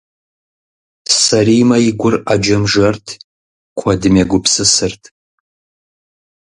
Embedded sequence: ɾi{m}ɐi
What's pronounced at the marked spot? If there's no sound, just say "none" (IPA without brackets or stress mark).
m